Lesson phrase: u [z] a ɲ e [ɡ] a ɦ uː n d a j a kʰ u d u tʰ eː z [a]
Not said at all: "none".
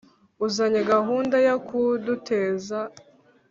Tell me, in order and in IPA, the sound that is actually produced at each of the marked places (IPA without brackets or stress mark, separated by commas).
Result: z, ɡ, a